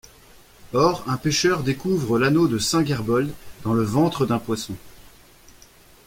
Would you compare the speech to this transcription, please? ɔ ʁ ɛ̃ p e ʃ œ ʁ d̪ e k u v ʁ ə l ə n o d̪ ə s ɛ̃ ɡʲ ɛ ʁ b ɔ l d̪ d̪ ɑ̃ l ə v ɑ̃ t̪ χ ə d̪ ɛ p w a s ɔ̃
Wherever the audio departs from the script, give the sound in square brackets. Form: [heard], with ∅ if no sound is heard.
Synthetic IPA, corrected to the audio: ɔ ʁ ɛ̃ p e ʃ œ ʁ d̪ e k u v ʁ ə l [a] n o d̪ ə s ɛ̃ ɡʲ ɛ ʁ b ɔ l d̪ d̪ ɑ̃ l ə v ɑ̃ t̪ χ ə d̪ [ɛ̃] p w a s ɔ̃